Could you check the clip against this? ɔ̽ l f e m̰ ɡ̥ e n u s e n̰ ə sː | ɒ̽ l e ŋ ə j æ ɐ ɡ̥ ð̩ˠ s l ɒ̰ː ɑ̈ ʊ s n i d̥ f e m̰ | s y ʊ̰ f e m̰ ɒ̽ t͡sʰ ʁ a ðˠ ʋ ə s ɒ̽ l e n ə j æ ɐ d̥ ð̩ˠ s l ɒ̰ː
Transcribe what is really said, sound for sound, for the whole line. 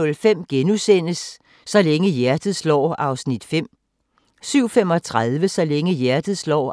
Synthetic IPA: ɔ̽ l f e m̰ ɡ̥ e n u s e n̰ ə sː | ɒ̽ l e ŋ ə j æ ɐ d̥ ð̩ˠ s l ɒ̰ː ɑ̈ ʊ s n i d̥ f e m̰ | s y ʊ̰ f e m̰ ɒ̽ t͡sʰ ʁ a ðˠ ʋ ə s ɒ̽ l e ŋ ə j æ ɐ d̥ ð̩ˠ s l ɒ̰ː